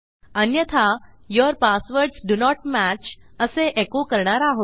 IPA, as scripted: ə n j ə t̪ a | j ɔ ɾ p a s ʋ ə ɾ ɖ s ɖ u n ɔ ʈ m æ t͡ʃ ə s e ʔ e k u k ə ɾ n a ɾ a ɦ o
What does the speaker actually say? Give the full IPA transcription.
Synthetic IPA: ə n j ə t̪ʰ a | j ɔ ɾ p a s ʋ ə ɾ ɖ s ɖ u n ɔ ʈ m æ t͡ʃ ə s e ʔ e k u k ə ɾ ɳ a ɾ a ɦ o